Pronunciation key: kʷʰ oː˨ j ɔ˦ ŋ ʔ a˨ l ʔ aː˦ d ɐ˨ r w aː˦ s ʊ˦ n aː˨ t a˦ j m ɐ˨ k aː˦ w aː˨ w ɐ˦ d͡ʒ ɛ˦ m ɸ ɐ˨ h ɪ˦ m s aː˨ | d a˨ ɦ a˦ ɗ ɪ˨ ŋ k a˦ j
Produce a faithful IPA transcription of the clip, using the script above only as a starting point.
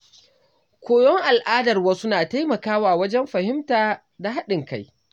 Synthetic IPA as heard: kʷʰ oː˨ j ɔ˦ ŋ ʔ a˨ l ʔ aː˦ d ɐ˨ r w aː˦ s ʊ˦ n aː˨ t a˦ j m ɐ˨ k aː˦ w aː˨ w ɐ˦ d͡ʒ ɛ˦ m ɸ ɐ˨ h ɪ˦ m t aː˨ | d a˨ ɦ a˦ ɗ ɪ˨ ŋ k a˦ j